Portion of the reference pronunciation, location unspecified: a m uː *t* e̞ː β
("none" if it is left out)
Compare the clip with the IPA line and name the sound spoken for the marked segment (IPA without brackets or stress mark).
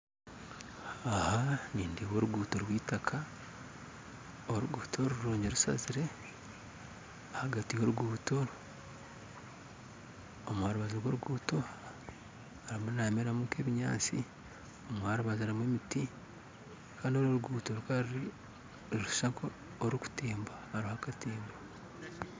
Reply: k